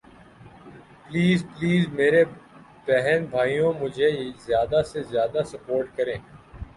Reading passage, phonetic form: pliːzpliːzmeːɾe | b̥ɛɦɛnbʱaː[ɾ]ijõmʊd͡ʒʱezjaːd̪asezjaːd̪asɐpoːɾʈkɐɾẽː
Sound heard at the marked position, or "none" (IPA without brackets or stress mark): none